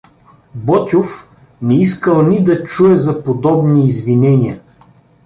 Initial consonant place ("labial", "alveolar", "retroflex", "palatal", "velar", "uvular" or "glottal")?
labial